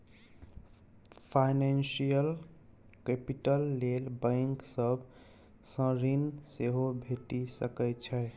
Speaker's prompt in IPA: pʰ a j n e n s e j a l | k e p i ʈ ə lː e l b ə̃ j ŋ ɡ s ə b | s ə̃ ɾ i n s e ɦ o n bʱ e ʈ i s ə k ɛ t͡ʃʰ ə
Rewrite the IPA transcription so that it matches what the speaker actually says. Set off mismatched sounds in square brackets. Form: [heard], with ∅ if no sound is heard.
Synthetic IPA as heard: pʰ a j n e n s [i] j [ə] l | k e p i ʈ ə lː e l b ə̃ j ŋ [k] s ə b | s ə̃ ɾ i n s e ɦ o [∅] bʱ e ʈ i s ə k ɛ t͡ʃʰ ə